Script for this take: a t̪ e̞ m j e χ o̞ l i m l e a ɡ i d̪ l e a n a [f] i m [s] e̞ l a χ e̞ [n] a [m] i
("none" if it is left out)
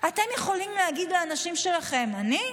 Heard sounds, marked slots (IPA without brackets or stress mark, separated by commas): ʃ, ʃ, m, n